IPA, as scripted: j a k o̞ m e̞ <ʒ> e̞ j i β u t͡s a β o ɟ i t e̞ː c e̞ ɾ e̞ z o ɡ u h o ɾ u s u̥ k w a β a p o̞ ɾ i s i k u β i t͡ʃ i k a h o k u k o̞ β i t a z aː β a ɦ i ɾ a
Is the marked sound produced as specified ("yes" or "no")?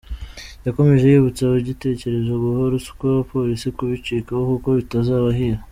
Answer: yes